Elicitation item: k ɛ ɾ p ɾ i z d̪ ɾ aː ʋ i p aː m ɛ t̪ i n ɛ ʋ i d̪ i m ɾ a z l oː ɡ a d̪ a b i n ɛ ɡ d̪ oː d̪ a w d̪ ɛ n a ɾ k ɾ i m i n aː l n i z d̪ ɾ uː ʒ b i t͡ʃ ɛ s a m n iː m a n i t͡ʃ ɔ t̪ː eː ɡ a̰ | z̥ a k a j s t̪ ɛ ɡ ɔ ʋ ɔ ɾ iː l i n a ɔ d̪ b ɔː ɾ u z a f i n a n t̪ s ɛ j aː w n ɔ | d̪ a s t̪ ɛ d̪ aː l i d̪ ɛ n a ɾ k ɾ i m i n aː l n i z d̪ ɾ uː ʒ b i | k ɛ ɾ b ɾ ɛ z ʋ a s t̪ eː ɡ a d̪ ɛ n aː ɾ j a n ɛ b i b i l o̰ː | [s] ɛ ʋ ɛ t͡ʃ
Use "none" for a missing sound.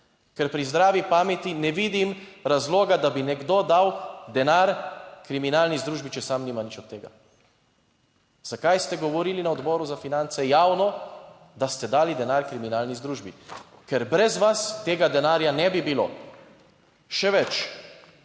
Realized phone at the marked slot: ʃ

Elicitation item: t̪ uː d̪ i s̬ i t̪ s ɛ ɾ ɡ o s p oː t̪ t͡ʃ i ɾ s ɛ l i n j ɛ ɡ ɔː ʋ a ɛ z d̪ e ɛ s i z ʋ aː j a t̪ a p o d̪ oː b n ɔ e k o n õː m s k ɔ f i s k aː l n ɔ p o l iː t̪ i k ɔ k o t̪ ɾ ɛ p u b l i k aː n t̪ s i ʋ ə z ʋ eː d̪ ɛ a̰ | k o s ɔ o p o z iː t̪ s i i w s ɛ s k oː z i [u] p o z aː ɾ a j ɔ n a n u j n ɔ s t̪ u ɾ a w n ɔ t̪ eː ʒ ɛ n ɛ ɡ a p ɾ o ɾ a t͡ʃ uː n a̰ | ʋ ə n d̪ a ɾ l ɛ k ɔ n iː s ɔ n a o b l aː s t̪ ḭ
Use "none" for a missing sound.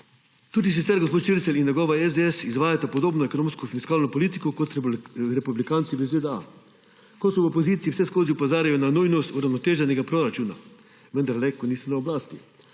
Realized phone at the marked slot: u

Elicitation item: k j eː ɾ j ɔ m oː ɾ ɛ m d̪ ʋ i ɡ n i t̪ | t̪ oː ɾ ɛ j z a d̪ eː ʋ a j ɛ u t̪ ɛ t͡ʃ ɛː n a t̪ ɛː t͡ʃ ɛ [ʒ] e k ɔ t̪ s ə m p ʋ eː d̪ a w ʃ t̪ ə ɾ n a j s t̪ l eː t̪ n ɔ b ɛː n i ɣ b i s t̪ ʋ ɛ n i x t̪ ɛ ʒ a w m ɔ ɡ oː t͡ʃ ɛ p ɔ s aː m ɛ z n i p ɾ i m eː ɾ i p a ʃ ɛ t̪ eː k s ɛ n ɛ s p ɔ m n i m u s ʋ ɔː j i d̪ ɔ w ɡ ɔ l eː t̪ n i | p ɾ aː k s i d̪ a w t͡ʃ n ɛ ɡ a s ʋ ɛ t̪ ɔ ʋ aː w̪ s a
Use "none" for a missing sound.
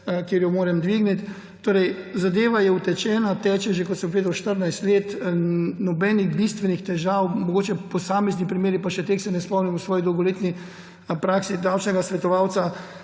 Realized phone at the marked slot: ʒ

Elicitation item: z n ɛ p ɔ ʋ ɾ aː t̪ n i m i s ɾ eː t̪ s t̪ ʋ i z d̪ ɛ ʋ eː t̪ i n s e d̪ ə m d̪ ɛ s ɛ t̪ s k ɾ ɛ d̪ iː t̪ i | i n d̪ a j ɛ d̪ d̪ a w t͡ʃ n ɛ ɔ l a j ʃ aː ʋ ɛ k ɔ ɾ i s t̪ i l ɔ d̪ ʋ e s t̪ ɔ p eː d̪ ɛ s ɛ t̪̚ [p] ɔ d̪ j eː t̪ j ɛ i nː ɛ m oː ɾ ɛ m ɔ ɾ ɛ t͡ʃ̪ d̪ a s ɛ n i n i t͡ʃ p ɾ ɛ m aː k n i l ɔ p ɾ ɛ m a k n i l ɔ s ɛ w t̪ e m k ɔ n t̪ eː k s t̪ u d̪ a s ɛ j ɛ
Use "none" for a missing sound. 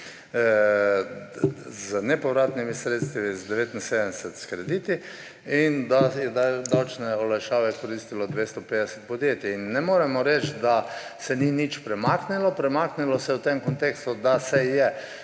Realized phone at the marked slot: p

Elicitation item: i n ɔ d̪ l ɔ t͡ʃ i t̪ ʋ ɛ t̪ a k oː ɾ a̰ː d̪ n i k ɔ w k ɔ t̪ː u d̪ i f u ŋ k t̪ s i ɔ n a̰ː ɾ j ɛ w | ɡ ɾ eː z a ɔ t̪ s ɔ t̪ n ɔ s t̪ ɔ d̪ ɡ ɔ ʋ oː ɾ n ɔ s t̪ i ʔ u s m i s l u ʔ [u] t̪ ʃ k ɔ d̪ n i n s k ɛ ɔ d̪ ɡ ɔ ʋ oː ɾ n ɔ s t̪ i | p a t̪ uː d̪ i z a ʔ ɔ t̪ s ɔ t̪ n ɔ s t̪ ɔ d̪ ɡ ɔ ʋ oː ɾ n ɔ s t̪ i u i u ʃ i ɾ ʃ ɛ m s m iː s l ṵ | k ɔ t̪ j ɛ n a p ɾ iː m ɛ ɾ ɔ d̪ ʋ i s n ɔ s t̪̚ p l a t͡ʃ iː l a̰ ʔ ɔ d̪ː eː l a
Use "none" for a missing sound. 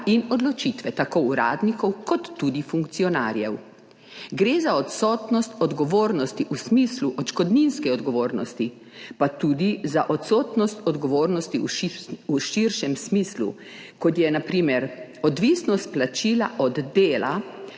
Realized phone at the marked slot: ɔ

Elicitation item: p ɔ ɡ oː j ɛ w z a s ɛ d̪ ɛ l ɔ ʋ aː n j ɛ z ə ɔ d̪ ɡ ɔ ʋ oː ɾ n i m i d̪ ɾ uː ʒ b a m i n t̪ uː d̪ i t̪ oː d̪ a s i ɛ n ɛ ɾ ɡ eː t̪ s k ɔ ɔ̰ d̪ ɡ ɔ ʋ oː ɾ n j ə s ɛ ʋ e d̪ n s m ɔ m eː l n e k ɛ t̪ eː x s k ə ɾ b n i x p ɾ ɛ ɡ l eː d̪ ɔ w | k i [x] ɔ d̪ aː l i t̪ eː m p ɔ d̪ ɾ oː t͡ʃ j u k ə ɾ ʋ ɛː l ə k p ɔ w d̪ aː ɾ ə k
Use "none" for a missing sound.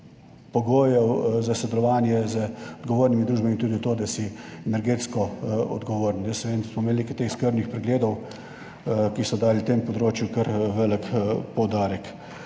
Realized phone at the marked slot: s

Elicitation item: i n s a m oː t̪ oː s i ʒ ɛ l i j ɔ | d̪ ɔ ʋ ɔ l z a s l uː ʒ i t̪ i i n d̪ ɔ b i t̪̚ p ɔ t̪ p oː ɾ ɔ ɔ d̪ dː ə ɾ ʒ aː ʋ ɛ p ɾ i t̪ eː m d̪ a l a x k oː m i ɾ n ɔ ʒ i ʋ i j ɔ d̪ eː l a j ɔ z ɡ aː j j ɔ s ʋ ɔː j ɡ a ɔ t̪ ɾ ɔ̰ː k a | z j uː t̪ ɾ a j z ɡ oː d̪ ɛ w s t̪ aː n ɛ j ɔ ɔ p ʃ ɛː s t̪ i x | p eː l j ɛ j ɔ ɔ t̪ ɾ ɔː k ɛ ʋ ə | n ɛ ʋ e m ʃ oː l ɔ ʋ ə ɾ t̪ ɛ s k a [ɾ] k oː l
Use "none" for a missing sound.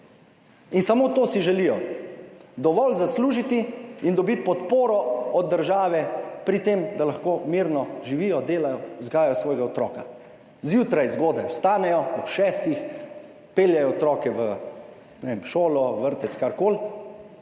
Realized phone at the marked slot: ɾ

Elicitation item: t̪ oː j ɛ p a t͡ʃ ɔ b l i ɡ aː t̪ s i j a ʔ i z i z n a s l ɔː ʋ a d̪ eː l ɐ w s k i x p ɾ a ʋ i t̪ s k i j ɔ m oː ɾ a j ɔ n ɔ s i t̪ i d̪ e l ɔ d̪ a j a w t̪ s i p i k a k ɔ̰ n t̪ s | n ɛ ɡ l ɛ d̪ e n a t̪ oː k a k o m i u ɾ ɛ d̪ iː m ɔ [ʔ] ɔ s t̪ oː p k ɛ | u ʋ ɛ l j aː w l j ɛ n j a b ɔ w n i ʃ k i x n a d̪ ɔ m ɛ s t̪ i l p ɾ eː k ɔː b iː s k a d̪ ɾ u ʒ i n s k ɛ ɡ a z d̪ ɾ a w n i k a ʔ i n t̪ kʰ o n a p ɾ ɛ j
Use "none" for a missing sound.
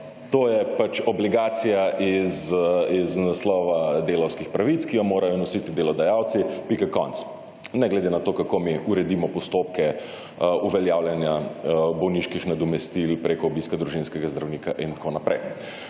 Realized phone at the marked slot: p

